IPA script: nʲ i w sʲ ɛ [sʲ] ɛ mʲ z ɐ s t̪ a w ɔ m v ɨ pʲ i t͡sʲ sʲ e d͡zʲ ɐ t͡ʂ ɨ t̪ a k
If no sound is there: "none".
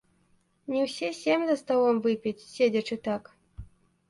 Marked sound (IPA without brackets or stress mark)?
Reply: sʲ